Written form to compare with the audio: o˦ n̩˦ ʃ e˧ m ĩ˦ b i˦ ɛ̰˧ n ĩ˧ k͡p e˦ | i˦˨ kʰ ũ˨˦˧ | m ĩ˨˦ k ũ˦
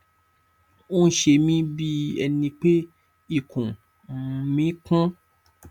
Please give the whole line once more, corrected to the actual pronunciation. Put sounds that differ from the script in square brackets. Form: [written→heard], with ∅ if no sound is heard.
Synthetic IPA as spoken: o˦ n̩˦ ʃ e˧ m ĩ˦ b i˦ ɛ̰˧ n ĩ˧ k͡p e˦ | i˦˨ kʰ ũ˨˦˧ | m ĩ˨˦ k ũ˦